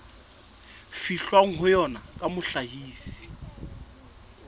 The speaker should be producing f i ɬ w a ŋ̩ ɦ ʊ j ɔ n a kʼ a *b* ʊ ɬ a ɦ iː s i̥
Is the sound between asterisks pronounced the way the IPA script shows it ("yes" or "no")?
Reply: no